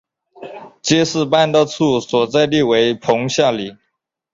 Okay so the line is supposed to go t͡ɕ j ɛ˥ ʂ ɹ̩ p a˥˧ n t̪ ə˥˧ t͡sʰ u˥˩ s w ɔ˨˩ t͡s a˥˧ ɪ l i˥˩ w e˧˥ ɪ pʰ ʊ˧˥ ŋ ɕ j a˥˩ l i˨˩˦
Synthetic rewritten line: t͡ɕ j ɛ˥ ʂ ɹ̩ p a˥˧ n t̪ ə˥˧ t͡sʰ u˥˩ s w ɔ˨˩ t͡s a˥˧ ɪ l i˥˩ w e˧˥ ɪ pʰ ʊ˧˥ ŋ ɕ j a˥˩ l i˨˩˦